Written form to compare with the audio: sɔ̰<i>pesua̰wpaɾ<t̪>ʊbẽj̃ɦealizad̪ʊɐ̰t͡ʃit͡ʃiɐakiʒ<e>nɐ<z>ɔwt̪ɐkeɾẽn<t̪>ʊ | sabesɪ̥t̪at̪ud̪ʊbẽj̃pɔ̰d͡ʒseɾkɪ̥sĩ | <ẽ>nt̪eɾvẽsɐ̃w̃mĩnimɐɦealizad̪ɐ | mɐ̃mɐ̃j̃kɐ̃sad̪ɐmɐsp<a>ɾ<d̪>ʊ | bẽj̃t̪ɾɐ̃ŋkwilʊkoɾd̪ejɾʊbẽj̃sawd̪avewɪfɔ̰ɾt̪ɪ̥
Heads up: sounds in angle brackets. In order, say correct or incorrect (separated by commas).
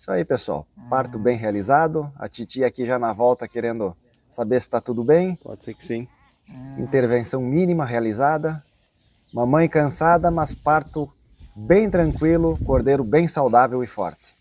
correct, correct, incorrect, incorrect, incorrect, incorrect, correct, incorrect